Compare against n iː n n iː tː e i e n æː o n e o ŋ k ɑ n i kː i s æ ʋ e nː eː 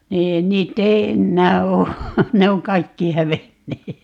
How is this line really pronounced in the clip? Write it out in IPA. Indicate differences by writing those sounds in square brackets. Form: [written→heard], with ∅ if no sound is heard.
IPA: n iː n n iː tː e i e [n→nː] æː [o→oː] n e o ŋ k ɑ [n→∅] i kː i [s→h] æ ʋ e nː eː